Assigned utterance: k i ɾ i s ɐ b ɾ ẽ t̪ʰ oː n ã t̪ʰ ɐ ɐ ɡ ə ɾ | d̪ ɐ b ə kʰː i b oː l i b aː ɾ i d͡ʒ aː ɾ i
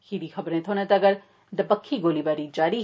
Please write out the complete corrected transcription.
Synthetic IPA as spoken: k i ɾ i x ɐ b ɾ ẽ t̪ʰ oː n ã t̪ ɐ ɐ ɡ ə ɾ | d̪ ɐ b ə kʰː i ɡ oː l i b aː ɾ i d͡ʒ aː ɾ i

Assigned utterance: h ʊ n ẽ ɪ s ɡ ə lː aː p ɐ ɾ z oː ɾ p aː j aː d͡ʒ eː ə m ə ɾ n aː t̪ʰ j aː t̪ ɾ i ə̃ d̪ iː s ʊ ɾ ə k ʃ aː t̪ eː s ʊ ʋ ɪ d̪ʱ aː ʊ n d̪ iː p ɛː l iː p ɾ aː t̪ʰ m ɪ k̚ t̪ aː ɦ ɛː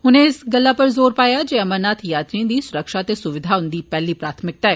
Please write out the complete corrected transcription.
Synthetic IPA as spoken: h ʊ n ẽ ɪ s ɡ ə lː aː p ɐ ɾ z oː ɾ p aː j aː d͡ʒ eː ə m ə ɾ n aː t̪ʰ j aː t̪ ɾ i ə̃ d̪ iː s ʊ ɾ ə k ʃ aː t̪ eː s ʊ ʋ ɪ d̪ʱ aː ʊ n d̪ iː p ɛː l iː p ɾ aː t̪ʰ m ɪ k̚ t̪ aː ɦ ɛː

